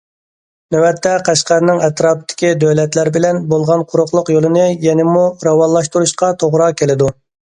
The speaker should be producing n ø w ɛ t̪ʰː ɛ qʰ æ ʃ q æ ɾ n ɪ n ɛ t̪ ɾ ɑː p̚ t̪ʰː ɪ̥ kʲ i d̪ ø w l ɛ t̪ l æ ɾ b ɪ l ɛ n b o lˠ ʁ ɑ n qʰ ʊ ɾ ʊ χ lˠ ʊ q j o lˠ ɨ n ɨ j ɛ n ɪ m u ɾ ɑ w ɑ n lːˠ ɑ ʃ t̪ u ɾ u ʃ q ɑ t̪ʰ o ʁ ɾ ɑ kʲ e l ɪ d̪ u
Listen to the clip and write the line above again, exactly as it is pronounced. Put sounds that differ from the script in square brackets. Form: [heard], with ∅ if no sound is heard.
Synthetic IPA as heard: n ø w ɛ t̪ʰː ɛ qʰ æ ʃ q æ ɾ n ɪ [ŋ] ɛ t̪ ɾ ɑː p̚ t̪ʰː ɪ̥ kʲ i d̪ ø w l ɛ t̪ l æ ɾ b ɪ l ɛ n b o lˠ ʁ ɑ n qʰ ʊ ɾ ʊ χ lˠ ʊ q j o lˠ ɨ n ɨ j ɛ n ɪ m u ɾ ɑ w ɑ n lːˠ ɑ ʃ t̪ u ɾ u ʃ q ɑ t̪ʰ o ʁ ɾ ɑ kʲ e l ɪ d̪ u